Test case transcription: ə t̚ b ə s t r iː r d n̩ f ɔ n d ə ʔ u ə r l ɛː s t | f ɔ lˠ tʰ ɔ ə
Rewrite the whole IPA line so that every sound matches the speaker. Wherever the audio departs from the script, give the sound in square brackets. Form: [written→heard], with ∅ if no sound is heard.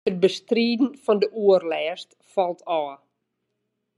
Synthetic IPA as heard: ə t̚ b ə s t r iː [r→∅] d n̩ f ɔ n d ə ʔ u ə r l ɛː s t | f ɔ lˠ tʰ ɔ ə